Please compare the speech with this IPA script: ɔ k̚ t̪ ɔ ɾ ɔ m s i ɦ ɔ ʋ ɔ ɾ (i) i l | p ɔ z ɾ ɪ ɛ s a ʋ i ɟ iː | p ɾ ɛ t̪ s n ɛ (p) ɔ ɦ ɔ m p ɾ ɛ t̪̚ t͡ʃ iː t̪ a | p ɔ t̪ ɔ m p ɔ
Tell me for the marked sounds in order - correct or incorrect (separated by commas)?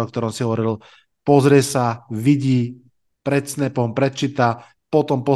correct, correct